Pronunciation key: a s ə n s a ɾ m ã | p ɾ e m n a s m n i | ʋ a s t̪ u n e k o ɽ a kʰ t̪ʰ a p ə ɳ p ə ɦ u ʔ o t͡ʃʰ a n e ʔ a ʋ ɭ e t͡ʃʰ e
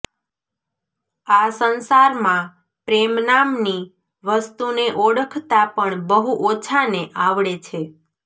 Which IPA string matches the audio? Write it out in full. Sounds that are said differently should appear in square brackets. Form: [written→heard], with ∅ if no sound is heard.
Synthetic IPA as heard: a s ə n s a ɾ m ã | p ɾ e m n a [s→∅] m n i | ʋ [a→ə] s t̪ u n e [k→ʔ] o ɽ [a→ə] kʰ [t̪ʰ→t̪] a p ə ɳ [p→b] ə ɦ u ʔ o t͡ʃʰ a n e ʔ a ʋ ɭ e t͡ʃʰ e